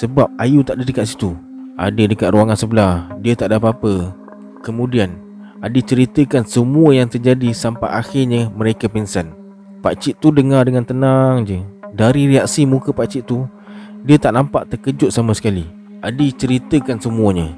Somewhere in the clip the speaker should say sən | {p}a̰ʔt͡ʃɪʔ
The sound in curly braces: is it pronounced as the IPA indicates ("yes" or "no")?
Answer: yes